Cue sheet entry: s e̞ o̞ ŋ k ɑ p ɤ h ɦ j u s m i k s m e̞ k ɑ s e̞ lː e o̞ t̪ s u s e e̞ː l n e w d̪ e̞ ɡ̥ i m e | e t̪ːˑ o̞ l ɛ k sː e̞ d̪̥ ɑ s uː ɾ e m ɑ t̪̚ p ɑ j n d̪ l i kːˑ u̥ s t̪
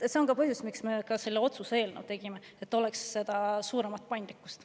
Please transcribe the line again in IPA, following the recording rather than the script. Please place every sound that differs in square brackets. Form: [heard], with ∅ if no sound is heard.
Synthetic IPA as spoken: s e̞ o̞ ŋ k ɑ p ɤ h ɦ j u s m i k s m e̞ k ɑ s e̞ lː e o̞ t̪ s u s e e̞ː l n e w [t̪] e̞ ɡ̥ i m e | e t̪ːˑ o̞ l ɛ k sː e̞ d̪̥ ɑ s uː ɾ e m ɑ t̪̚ p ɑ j n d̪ l i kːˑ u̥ s t̪